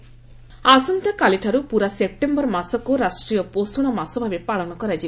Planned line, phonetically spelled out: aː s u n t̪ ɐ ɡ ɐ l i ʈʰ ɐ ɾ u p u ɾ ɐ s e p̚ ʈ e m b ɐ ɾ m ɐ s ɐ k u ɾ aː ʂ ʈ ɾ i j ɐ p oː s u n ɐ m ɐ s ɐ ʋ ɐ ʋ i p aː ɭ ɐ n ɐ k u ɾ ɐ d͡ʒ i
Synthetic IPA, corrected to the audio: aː s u n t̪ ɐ k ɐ l i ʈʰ ɐ ɾ u p u ɾ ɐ s e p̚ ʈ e m b ɐ ɾ m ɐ s ɐ k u ɾ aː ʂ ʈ ɾ i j ɐ p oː s u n ɐ m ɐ s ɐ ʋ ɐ ʋ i p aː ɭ ɐ n ɐ k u ɾ ɐ d͡ʒ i